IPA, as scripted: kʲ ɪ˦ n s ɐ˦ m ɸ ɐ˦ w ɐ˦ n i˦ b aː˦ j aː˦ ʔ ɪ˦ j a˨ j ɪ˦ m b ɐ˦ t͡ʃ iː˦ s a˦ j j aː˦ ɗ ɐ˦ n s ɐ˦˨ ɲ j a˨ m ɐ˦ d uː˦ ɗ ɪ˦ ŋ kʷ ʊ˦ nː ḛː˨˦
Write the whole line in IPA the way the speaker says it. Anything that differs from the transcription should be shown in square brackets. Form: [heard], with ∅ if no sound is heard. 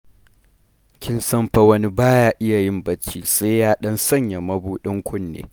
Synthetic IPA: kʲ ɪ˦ n s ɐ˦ m ɸ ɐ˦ w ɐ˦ n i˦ b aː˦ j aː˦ ʔ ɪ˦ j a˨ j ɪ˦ m b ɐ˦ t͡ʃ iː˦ s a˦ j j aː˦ ɗ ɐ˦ n s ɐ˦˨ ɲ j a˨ m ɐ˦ [b] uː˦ ɗ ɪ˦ ŋ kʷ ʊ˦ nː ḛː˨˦